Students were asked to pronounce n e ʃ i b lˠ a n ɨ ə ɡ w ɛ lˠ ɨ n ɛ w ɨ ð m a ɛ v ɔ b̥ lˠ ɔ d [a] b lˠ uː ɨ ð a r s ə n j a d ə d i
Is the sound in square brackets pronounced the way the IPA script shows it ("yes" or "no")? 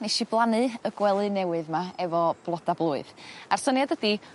yes